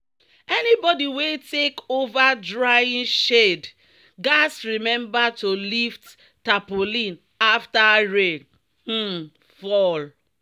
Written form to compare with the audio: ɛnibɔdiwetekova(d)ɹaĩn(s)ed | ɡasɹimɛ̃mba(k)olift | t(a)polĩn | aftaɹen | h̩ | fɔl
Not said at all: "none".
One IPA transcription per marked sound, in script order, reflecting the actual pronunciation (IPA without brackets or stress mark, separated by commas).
d, ʃ, t, a